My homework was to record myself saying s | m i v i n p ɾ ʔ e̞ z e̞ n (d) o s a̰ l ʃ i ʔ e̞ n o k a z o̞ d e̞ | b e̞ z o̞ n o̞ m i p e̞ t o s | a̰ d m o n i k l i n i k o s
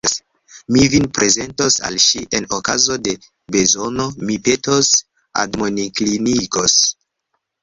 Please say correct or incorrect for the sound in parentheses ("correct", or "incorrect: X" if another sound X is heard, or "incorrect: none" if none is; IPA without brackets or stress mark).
incorrect: t